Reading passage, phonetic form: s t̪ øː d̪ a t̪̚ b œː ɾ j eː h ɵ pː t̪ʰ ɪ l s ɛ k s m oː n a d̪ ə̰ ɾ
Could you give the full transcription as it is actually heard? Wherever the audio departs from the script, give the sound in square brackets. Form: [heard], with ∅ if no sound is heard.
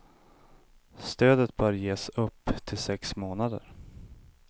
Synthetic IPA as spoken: s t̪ øː d̪ [ə] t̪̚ b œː ɾ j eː [s] ɵ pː t̪ʰ ɪ l s ɛ k s m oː n a d̪ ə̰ ɾ